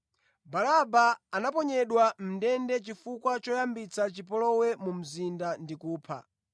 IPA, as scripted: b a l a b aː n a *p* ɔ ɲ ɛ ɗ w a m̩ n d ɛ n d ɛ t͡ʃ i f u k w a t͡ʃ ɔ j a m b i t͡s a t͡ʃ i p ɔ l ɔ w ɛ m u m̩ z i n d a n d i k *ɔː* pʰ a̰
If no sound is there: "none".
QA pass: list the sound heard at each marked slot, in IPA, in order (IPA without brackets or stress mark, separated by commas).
p, uː